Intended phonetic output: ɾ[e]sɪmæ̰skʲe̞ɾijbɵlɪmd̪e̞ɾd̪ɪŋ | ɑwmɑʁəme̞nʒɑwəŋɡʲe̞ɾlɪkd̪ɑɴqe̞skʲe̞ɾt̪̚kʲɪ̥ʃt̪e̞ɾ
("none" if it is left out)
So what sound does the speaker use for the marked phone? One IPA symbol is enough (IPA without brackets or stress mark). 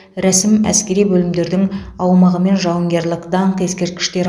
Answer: æ